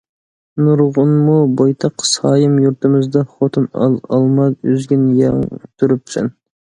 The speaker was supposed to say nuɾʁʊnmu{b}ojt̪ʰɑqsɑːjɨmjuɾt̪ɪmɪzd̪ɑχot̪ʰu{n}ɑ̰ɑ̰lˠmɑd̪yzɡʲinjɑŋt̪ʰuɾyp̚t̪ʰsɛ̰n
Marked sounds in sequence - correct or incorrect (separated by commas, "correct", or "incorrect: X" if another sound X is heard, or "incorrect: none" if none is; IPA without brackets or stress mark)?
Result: correct, correct